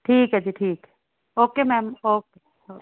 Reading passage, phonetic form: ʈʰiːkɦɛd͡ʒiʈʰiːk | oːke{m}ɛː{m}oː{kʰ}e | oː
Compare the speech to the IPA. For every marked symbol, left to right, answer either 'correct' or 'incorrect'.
correct, correct, incorrect: k

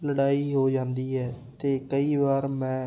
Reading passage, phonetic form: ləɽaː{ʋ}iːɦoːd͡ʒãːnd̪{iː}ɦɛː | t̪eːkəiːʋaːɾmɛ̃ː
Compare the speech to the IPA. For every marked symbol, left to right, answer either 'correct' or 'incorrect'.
incorrect: none, correct

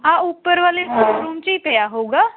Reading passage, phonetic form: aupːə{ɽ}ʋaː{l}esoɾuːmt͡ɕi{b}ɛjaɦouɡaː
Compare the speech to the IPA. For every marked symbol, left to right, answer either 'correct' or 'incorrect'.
incorrect: ɾ, correct, incorrect: p

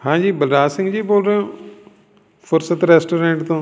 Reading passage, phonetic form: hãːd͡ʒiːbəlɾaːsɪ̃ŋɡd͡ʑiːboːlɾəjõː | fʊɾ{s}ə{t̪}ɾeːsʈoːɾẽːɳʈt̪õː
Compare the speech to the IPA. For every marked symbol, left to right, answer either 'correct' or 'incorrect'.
correct, correct

